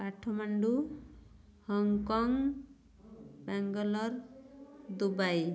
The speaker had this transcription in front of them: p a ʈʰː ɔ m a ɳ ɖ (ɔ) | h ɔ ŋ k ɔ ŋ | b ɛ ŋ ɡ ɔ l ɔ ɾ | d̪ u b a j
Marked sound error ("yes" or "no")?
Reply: yes